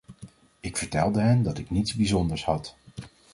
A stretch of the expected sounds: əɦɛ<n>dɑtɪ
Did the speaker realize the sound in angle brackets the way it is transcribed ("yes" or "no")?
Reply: yes